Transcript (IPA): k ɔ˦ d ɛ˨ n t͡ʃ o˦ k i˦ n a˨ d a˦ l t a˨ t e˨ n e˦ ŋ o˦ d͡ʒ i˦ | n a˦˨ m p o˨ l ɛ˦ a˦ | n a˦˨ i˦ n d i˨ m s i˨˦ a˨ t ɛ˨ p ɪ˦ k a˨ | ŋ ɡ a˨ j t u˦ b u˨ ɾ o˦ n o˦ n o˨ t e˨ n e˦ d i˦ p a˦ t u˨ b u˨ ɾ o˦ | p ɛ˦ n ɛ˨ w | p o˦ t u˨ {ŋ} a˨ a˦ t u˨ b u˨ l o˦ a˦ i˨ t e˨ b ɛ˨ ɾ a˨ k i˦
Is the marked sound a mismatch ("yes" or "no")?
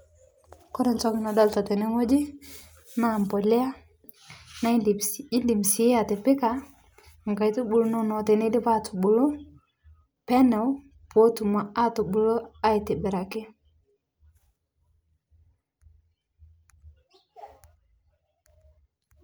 yes